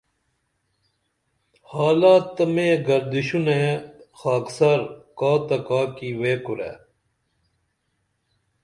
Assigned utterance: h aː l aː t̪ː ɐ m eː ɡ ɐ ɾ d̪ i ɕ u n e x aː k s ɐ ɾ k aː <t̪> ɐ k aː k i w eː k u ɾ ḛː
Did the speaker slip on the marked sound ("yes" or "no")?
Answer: no